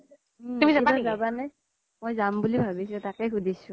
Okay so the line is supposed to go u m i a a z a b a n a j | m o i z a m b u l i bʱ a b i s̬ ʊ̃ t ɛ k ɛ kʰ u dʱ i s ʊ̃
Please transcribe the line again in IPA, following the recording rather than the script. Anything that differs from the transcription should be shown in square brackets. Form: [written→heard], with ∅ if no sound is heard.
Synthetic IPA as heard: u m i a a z a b a n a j | m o [i→j] z a m b u l i bʱ a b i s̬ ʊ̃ t [ɛ→a] k ɛ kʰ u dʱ i s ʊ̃